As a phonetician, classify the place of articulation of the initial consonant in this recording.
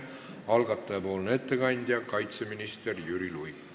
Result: alveolar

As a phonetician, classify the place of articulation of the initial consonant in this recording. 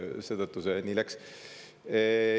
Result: alveolar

